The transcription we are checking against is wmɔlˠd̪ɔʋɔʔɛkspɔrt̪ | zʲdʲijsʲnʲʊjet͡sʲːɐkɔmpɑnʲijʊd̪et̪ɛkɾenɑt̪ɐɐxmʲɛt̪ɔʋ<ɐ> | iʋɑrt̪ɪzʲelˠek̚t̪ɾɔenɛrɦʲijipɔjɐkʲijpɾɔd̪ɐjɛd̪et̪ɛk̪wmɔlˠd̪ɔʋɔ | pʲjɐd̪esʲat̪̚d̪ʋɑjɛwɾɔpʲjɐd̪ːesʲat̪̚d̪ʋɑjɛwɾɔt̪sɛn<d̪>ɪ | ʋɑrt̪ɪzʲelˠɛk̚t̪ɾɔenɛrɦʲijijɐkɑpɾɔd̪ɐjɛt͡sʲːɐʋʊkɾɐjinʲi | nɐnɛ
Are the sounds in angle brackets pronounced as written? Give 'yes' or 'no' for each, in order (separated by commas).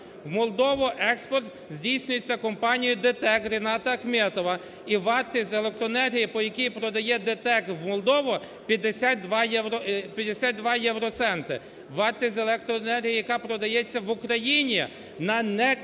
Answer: yes, no